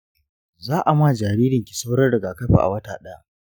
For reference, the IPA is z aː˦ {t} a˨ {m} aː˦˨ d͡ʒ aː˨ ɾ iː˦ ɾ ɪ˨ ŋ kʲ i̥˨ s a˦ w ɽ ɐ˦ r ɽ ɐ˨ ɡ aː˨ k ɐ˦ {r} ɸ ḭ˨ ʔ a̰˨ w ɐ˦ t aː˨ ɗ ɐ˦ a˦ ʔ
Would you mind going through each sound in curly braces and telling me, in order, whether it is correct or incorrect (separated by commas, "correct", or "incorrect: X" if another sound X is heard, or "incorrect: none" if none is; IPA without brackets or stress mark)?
incorrect: ʔ, correct, incorrect: none